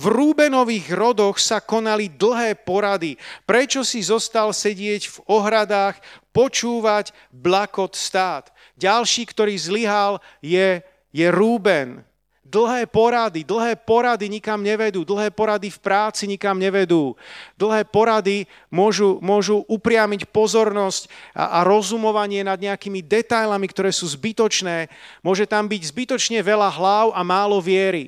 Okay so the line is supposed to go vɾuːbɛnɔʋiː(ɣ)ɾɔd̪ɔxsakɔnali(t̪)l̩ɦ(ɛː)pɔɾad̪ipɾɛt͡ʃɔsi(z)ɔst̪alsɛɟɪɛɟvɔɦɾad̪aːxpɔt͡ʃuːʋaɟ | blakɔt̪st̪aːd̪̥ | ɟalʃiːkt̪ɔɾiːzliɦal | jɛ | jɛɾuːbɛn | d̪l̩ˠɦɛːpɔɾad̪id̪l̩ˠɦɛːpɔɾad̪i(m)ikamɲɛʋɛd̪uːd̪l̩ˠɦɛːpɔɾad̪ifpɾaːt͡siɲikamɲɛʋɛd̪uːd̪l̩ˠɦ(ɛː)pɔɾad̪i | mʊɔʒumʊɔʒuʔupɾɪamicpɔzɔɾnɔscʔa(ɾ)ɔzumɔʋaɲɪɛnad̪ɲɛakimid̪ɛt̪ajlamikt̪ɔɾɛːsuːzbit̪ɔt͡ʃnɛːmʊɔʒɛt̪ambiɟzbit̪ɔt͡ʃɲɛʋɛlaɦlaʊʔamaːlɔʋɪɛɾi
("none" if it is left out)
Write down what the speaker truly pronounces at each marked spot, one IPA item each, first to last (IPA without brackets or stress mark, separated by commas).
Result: ɣ, d̪, ɛː, z, ɲ, ɛː, ɾ